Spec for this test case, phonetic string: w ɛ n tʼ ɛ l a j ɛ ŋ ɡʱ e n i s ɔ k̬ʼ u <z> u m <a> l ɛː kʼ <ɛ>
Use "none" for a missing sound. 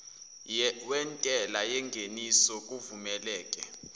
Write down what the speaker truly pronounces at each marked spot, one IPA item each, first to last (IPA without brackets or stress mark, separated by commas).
v, ɛ, ɛ